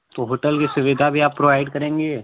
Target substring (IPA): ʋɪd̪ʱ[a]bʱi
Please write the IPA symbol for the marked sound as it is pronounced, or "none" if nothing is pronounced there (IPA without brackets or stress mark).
a